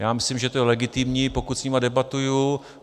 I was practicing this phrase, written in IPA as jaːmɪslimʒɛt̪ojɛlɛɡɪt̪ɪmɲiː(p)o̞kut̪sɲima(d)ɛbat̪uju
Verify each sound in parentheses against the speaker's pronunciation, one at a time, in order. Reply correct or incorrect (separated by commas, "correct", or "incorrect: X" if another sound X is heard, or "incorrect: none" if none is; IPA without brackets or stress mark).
correct, correct